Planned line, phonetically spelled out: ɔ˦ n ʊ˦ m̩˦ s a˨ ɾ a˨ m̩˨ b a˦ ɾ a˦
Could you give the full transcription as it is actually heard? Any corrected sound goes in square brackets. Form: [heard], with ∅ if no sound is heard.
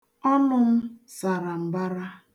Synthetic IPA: ɔ˦ n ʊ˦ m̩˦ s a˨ ɾ a˨ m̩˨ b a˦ ɾ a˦

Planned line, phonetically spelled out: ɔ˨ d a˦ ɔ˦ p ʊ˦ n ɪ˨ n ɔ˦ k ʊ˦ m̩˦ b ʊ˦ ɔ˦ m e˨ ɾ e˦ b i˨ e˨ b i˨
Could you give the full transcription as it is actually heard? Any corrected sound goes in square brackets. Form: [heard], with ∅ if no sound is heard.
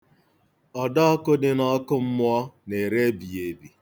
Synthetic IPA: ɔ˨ d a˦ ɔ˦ [k] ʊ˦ [d] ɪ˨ n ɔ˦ k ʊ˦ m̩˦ [m] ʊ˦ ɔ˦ [n] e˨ ɾ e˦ b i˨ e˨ b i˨

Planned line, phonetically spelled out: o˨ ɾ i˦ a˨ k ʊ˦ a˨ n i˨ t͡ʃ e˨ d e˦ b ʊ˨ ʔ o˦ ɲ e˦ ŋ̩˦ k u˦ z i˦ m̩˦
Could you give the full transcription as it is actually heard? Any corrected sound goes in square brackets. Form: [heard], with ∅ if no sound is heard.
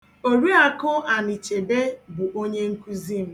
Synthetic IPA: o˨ ɾ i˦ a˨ k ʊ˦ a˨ n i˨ t͡ʃ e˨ d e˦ b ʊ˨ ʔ o˦ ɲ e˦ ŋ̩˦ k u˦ z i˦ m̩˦

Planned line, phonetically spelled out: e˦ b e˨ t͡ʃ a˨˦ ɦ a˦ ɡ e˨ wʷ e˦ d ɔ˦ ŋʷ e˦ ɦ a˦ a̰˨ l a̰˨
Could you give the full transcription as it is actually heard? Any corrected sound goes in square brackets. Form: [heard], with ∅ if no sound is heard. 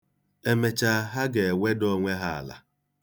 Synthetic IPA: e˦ [m] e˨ t͡ʃ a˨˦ ɦ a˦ ɡ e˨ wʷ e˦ d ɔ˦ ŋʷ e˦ ɦ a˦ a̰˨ l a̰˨

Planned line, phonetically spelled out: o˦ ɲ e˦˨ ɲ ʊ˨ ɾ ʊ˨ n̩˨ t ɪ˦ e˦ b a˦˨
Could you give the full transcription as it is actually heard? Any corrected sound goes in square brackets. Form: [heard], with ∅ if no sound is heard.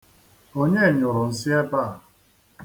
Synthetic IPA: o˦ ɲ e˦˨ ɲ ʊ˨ ɾ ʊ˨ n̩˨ [s] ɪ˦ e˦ b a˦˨

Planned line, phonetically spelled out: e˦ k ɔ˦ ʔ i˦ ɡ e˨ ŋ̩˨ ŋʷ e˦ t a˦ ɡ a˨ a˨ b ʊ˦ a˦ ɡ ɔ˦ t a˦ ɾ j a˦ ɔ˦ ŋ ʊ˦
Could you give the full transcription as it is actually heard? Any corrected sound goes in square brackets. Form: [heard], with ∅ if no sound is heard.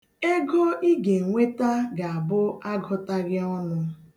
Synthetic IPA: e˦ [ɡ] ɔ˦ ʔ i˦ ɡ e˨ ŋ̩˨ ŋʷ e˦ t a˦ ɡ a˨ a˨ b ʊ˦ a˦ ɡ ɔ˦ t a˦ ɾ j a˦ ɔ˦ [n] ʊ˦

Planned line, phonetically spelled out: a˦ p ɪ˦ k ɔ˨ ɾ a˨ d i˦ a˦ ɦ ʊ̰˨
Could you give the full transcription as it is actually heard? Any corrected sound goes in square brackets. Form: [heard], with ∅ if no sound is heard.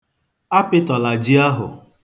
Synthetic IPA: a˦ p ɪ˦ [t] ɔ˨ [l] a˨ [d͡ʒ] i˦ a˦ ɦ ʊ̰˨

